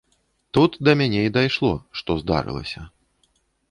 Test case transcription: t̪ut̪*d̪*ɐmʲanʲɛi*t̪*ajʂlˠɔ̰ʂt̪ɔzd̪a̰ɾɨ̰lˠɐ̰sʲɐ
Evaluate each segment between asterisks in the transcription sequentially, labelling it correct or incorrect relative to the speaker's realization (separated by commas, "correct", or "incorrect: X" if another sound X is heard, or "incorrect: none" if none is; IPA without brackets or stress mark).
correct, incorrect: d̪